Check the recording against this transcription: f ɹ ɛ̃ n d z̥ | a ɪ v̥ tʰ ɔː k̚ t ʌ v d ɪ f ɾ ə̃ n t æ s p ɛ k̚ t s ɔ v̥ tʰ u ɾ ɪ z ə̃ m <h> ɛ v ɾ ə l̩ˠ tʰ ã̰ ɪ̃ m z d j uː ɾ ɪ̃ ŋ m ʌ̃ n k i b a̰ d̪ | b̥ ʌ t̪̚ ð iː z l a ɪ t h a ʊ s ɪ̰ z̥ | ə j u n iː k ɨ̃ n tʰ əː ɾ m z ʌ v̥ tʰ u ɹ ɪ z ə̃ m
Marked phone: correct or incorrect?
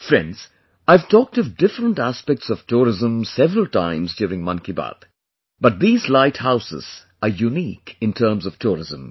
incorrect: s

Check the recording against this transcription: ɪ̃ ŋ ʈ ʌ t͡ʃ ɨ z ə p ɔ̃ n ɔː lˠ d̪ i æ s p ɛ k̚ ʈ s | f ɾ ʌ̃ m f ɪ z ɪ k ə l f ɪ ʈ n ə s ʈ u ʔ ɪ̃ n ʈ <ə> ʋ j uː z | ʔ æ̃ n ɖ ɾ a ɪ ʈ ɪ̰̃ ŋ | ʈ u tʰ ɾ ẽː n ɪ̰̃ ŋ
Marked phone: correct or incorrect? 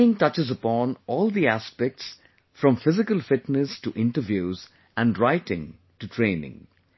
correct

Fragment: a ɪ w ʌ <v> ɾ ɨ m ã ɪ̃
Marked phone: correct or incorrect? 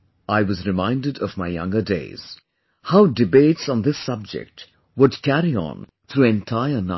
incorrect: z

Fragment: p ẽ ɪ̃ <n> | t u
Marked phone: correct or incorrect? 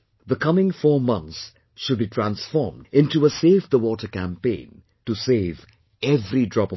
correct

